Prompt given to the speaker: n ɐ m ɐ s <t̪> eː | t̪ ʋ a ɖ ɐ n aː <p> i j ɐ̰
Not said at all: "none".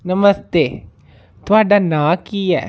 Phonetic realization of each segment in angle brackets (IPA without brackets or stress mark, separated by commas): t̪, k